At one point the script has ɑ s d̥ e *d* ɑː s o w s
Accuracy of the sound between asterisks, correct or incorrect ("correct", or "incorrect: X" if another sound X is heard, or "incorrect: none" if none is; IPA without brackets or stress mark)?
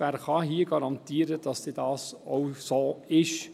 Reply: correct